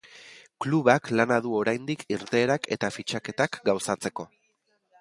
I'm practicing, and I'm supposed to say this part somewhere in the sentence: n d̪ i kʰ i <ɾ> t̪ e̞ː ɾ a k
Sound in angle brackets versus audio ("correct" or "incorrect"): correct